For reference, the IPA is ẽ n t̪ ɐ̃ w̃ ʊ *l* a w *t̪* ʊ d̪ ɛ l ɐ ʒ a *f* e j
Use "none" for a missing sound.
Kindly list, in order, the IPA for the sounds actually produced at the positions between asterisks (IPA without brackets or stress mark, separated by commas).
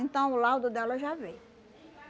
l, d̪, v